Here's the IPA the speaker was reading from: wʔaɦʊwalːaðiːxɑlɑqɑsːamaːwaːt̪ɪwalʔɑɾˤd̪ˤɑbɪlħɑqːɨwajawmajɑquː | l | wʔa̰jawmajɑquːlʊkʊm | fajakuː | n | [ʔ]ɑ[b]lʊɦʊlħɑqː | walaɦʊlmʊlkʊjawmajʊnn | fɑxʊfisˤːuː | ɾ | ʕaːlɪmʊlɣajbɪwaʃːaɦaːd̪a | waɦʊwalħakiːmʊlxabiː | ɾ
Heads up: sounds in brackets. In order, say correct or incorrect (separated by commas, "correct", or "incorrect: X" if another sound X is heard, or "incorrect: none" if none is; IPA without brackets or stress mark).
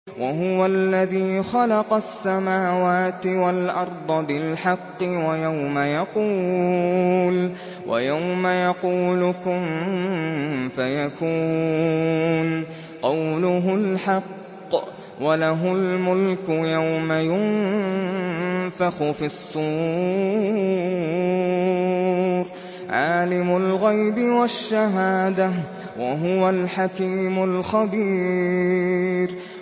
incorrect: q, incorrect: w